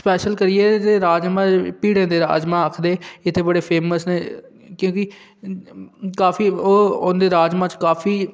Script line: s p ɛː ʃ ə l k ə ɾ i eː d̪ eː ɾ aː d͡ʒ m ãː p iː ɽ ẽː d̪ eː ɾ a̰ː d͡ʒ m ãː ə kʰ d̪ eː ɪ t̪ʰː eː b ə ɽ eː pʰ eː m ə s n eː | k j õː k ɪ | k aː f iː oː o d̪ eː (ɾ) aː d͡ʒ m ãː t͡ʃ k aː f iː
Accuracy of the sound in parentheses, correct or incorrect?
correct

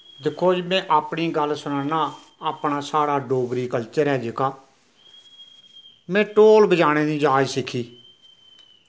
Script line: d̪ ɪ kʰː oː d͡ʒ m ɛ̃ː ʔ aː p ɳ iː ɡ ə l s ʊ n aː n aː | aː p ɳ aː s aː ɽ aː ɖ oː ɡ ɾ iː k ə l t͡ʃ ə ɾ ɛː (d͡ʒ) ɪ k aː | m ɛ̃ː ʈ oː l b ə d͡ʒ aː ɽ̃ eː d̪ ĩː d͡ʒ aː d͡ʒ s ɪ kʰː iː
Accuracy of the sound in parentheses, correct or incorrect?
correct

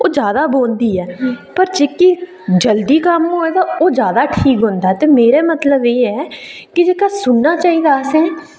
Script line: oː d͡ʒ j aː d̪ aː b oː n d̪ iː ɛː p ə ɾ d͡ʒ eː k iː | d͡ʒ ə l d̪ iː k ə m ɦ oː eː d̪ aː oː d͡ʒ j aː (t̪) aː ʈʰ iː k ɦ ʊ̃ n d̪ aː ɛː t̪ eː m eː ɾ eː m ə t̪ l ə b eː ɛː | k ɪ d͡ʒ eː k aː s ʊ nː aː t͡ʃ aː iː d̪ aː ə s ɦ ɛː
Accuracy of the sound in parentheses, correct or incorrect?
incorrect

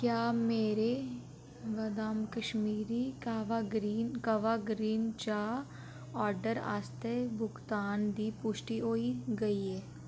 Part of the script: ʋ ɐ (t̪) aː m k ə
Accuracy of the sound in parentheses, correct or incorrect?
incorrect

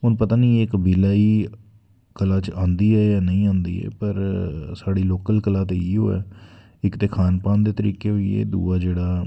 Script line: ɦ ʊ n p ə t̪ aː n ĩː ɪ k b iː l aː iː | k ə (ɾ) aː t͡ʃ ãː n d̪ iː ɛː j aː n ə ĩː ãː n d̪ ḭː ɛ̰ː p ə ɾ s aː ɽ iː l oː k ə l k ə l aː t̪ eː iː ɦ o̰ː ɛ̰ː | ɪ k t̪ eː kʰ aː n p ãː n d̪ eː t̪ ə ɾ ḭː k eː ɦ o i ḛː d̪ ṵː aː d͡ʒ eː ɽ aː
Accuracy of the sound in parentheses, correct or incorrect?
incorrect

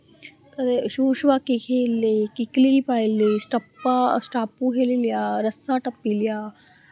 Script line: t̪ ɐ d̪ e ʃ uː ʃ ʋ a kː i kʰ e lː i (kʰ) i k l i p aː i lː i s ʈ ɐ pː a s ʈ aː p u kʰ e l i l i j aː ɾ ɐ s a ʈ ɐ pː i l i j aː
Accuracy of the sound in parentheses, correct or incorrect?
incorrect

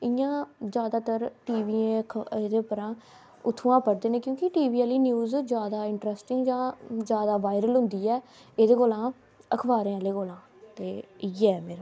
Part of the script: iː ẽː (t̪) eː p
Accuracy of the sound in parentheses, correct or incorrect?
incorrect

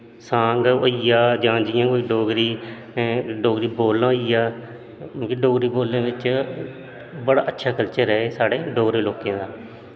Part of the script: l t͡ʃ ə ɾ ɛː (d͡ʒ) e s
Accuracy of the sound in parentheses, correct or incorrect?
incorrect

